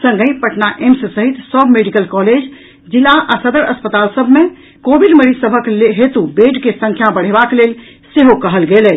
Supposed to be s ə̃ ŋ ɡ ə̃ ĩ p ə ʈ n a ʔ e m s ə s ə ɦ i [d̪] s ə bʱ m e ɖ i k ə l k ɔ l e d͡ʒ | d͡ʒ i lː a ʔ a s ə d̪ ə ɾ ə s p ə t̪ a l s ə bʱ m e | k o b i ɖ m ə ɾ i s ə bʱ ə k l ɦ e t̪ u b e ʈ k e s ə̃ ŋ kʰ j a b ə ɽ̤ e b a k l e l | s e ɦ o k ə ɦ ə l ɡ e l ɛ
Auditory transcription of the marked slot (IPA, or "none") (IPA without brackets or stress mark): t̪